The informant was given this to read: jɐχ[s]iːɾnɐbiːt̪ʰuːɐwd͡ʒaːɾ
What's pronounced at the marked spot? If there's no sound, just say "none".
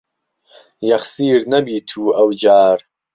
s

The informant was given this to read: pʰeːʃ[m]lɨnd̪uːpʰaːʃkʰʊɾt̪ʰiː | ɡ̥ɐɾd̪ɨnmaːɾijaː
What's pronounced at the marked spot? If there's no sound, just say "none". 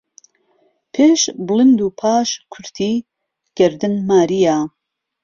b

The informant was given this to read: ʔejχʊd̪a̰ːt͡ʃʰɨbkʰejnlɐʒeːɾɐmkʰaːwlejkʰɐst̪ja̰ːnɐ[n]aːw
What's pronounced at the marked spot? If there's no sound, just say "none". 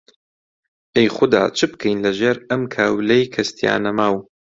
m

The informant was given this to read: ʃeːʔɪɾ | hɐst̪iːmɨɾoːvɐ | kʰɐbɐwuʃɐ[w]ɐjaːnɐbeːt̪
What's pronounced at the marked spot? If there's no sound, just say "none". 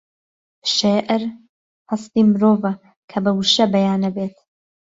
b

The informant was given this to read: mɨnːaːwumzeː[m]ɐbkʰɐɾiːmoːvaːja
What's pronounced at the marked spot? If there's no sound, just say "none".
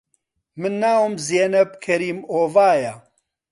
n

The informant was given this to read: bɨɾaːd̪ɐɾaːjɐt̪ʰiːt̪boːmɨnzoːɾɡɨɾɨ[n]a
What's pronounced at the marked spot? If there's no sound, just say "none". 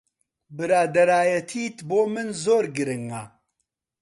ŋ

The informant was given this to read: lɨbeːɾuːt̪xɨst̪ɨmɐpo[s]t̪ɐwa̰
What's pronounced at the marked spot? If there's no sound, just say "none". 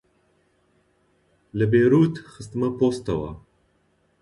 s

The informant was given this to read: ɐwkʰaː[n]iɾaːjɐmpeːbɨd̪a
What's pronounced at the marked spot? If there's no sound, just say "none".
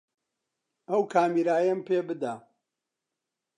m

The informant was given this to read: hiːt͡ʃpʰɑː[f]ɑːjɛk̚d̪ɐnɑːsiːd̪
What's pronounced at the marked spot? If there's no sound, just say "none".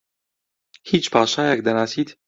ʃ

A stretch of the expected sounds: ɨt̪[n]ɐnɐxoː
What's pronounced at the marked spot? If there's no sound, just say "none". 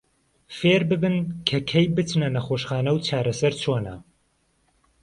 n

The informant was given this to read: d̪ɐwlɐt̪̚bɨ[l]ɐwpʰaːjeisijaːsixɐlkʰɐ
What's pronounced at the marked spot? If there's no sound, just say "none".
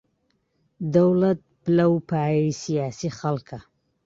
l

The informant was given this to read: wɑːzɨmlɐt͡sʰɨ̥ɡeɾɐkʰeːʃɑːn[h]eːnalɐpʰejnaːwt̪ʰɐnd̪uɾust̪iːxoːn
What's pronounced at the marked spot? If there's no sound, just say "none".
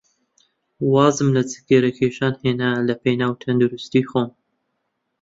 h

